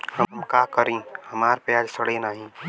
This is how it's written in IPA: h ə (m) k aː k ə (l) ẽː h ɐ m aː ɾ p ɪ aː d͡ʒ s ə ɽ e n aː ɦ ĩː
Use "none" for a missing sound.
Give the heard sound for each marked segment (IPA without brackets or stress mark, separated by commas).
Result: m, ɾ